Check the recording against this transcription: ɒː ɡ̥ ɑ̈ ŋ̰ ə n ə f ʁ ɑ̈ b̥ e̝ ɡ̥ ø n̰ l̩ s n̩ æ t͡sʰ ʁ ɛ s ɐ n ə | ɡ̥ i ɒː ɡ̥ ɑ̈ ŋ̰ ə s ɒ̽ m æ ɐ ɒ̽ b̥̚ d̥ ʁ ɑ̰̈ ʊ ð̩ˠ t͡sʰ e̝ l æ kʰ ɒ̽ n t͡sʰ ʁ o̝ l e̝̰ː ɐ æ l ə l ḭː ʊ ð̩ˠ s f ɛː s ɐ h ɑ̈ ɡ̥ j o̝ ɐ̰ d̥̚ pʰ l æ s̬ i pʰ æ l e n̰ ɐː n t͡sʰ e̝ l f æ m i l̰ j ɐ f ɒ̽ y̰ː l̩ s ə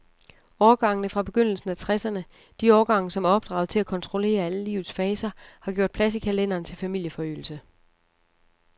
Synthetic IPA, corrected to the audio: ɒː ɡ̥ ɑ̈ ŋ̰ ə n ə f ʁ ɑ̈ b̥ e̝ ɡ̥ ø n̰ l̩ s n̩ æ t͡sʰ ʁ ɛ s ɐ n ə | d̥ i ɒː ɡ̥ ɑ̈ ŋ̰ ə s ɒ̽ m æ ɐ ɒ̽ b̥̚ d̥ ʁ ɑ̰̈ ʊ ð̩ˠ t͡sʰ e̝ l æ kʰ ɒ̽ n t͡sʰ ʁ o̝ l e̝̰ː ɐ æ l ə l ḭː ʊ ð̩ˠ s f ɛː s ɐ h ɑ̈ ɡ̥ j o̝ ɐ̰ d̥̚ pʰ l æ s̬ i kʰ æ l e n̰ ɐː n t͡sʰ e̝ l f æ m i l̰ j ə f ɒ̽ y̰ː l̩ s ə